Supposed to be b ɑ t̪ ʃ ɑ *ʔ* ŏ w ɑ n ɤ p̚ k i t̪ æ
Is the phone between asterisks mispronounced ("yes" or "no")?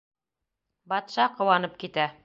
yes